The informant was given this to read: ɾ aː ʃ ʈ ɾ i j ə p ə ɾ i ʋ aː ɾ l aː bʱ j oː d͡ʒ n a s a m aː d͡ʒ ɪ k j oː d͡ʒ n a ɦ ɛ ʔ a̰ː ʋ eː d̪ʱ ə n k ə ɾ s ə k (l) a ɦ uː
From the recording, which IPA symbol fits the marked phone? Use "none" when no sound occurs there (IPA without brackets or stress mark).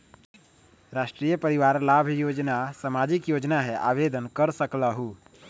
l